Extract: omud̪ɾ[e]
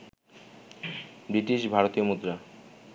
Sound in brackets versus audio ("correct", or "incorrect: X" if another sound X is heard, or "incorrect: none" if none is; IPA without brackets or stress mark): incorrect: a